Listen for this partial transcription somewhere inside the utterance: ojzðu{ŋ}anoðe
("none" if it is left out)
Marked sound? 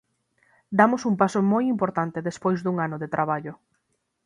ŋ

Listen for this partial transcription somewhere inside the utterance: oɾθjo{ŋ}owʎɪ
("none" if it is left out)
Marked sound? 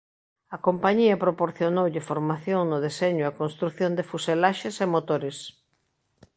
n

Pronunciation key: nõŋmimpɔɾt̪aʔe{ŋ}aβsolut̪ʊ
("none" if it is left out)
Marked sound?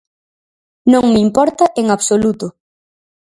ŋ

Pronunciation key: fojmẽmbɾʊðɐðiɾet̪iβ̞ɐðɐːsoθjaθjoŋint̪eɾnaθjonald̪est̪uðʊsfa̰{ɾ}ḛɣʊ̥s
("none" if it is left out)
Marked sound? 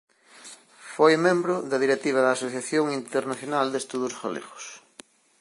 l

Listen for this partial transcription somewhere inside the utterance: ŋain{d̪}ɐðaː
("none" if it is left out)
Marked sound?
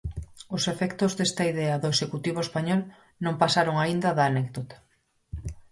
d̪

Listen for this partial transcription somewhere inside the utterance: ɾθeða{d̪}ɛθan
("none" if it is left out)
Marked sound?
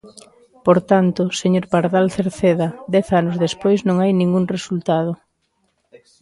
d̪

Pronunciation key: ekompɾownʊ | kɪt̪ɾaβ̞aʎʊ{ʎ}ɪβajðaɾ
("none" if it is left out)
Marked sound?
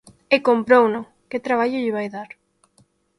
ʎ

